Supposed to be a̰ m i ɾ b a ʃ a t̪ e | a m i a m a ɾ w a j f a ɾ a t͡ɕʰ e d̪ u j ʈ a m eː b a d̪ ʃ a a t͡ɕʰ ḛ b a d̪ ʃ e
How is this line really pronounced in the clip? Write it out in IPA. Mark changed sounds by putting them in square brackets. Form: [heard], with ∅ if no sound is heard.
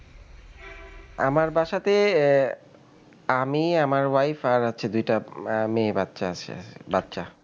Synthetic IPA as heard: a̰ m [a] ɾ b a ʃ a t̪ e | a m i a m a ɾ w a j f a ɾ a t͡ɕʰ e d̪ u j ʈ a m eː b a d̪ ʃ a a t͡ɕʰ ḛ b a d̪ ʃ [a]